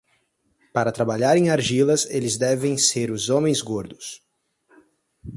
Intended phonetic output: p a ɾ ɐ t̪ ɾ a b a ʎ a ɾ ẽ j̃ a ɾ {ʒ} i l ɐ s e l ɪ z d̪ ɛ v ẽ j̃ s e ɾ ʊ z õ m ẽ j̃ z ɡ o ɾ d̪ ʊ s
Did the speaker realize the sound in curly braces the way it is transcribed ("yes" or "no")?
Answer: yes